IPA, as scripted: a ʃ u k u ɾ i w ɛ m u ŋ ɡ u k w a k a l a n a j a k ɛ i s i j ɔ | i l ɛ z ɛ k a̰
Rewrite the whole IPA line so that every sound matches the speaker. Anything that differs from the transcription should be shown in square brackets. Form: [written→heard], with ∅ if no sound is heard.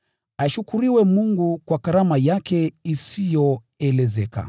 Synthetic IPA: a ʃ u k u ɾ i w ɛ m u ŋ ɡ u k w a k a [l→ɾ] a [n→m] a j a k ɛ i s i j ɔ | [i→ɛ] l ɛ z ɛ k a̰